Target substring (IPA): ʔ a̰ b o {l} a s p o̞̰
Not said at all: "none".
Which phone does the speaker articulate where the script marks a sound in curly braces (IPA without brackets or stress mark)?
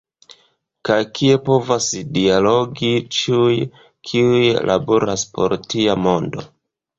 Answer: ɾ